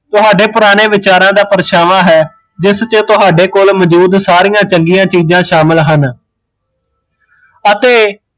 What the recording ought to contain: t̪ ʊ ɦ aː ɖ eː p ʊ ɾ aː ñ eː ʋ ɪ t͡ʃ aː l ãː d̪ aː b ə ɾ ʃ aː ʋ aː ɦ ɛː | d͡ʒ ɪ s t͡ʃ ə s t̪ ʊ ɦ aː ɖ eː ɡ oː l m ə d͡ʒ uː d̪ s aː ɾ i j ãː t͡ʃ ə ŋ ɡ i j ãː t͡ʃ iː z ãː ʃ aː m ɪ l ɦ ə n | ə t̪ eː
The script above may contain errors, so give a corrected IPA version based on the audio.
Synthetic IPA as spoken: t̪ ʊ ɦ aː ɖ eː p ʊ ɾ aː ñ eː ʋ ɪ t͡ʃ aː ɾ ãː d̪ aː p ə ɾ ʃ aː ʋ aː ɦ ɛː | d͡ʒ ɪ s t͡ʃ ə t̪ ʊ ɦ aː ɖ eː k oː l m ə d͡ʒ uː d̪ s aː ɾ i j ãː t͡ʃ ə ŋ ɡ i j ãː t͡ʃ iː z ãː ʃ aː m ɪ l ɦ ə n | ə t̪ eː